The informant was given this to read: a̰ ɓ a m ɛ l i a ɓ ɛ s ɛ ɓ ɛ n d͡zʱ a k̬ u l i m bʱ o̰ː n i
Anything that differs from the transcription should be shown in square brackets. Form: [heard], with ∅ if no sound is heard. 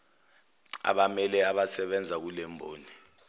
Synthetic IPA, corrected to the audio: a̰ ɓ a m ɛ l [ɛ] a ɓ [a] s ɛ ɓ ɛ n d͡zʱ a k̬ u l [ɛ] m bʱ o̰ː n i